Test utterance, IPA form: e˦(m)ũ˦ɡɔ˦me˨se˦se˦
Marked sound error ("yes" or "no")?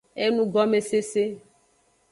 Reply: yes